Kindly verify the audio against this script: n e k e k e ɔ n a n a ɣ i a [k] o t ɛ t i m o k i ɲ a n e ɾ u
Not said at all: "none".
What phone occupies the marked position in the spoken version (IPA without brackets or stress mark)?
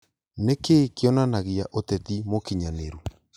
ʔ